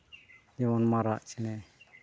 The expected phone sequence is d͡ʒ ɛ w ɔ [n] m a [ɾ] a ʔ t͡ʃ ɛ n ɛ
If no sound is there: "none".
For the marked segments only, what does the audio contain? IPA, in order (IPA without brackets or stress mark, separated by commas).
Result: n, ɾ